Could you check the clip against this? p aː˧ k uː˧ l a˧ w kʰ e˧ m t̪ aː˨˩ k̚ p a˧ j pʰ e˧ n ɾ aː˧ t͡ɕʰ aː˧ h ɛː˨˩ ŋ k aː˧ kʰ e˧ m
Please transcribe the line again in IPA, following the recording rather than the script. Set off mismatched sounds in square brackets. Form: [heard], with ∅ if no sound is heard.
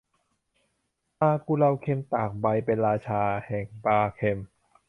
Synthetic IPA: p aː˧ k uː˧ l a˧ w kʰ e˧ m t̪ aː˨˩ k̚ [b] a˧ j [p] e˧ n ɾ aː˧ t͡ɕʰ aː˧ h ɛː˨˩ ŋ [p] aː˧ kʰ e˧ m

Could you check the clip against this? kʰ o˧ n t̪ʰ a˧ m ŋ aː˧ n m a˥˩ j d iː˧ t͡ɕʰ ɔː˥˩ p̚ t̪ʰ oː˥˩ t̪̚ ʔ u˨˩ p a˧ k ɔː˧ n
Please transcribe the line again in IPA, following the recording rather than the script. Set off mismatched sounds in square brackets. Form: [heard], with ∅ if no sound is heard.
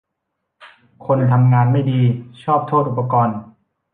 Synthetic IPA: kʰ o˧ n t̪ʰ a˧ m ŋ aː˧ n m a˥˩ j d iː˧ t͡ɕʰ ɔː˥˩ p̚ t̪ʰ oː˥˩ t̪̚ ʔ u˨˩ p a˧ k ɔː˧ n

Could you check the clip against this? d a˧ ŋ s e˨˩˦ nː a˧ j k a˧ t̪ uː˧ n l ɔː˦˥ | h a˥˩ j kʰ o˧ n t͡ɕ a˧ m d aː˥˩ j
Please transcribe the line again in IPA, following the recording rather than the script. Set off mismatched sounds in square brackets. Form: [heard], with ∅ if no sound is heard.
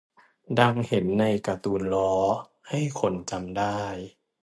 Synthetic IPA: d a˧ ŋ [h] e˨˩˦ nː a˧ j k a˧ t̪ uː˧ n l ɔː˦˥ | h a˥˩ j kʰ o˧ n t͡ɕ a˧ m d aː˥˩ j

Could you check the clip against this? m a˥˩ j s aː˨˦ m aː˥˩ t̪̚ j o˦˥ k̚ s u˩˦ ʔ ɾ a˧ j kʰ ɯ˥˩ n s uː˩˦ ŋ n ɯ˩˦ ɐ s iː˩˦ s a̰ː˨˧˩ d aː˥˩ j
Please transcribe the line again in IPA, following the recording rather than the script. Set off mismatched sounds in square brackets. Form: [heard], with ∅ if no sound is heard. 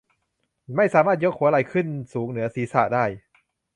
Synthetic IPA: m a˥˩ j s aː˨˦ m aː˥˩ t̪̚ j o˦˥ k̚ [h] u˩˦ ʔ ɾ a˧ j kʰ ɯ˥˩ n s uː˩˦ ŋ n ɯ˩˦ ɐ s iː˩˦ s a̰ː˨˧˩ d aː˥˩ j

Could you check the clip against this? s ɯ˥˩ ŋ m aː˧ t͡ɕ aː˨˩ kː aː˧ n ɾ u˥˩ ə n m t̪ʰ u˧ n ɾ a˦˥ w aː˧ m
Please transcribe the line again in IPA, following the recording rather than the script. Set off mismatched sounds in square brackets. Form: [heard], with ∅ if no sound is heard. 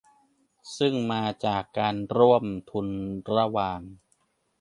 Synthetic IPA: s ɯ˥˩ ŋ m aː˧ t͡ɕ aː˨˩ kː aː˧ n ɾ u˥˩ ə [∅] m t̪ʰ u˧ n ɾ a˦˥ w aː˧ [ŋ]

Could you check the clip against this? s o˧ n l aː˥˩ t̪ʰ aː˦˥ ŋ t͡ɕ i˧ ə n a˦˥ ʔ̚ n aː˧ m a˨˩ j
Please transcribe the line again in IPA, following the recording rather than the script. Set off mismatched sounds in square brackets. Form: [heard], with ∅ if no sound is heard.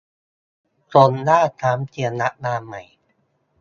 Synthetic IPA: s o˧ n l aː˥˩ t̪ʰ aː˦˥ [m] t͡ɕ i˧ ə n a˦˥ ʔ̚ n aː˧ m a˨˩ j

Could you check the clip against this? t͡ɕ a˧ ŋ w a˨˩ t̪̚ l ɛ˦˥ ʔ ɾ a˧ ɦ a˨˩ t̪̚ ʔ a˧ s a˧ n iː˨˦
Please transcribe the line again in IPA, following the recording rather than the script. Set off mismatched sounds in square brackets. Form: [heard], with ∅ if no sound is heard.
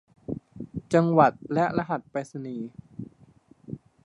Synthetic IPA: t͡ɕ a˧ ŋ w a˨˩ t̪̚ l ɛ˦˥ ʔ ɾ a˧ ɦ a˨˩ t̪̚ [p] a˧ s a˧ n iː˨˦

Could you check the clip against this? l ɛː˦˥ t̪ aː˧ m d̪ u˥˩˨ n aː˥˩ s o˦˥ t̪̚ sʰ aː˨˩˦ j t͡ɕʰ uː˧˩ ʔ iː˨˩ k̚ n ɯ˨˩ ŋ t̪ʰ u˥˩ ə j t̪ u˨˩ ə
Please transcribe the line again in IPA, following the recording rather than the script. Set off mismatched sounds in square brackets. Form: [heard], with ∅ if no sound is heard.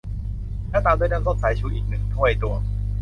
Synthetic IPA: l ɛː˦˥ t̪ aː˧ m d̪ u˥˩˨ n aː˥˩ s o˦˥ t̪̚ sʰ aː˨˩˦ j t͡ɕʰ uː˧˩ ʔ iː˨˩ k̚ n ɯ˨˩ ŋ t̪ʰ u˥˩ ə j t̪ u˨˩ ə

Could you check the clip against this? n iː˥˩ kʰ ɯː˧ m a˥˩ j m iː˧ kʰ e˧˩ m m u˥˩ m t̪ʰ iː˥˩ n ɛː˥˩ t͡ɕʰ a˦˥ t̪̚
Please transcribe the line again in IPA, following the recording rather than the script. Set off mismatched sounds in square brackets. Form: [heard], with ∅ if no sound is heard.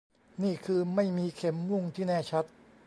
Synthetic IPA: n iː˥˩ kʰ ɯː˧ m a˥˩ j m iː˧ kʰ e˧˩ m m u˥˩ [ŋ] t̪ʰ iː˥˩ n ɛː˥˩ t͡ɕʰ a˦˥ t̪̚

